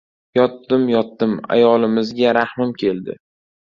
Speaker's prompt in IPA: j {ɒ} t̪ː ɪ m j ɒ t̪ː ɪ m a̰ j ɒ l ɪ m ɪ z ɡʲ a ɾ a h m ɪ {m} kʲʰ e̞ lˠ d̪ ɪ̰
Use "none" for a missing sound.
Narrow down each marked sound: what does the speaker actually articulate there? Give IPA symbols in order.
ɒ, m

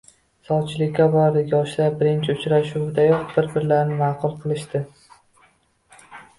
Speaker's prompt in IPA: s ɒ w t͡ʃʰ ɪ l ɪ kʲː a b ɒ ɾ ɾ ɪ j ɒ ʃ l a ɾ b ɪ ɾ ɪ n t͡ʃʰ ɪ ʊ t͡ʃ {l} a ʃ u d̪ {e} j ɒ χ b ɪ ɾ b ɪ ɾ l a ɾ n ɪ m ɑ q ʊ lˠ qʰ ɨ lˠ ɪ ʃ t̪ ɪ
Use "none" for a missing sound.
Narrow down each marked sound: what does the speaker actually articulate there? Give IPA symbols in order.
ɾ, a

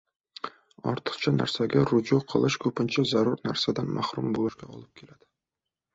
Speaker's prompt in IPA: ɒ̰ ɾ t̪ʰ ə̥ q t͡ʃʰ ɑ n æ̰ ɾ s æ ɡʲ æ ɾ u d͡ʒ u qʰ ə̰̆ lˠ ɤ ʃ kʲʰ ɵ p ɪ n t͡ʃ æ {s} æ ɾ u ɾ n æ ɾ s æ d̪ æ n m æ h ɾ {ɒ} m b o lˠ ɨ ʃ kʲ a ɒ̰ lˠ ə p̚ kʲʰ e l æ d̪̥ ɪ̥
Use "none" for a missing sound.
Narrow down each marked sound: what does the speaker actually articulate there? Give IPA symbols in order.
z, u

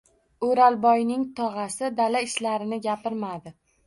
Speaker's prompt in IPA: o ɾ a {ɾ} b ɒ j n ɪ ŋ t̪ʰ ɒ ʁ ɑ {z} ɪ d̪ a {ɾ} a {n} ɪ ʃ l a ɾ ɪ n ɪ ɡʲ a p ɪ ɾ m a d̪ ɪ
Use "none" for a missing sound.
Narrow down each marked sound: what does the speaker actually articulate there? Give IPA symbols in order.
l, s, l, none

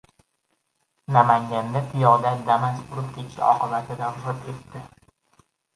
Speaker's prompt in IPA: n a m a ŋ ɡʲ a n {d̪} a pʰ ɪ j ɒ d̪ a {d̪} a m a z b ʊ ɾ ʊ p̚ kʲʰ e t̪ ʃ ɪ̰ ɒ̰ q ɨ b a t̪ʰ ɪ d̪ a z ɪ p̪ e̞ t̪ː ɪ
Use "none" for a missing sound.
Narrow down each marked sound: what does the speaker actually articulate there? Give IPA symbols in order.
d̪, d̪

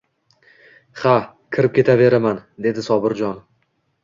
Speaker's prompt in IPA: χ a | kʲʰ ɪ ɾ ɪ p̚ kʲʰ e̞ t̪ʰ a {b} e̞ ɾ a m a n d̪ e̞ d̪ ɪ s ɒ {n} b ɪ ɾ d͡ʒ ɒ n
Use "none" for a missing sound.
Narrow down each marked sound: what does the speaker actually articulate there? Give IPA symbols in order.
v, none

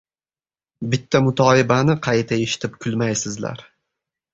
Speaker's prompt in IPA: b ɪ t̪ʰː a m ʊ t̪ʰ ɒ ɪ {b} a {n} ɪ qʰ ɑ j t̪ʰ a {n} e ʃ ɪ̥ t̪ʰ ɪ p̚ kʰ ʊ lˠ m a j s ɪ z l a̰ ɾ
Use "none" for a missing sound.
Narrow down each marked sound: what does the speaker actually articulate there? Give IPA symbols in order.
b, n, none

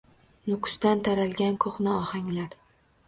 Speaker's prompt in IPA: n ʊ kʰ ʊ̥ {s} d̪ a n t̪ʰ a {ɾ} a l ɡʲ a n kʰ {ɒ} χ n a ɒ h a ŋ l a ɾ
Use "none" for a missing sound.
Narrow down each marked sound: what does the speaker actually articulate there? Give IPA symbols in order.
s, ɾ, o

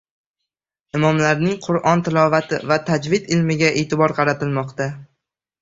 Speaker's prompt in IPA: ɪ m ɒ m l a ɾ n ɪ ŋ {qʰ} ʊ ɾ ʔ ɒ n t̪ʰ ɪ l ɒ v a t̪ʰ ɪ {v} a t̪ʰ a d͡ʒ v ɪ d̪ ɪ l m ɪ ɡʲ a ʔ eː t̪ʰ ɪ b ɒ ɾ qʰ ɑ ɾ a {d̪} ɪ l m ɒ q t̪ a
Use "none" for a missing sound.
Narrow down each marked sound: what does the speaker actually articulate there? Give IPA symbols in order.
qʰ, v, t̪

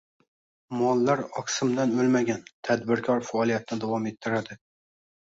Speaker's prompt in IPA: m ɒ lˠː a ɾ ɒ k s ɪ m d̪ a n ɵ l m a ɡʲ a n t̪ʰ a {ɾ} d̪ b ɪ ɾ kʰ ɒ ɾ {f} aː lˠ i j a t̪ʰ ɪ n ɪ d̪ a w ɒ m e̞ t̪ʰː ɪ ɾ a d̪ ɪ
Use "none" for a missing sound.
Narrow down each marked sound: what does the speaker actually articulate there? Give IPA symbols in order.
none, f

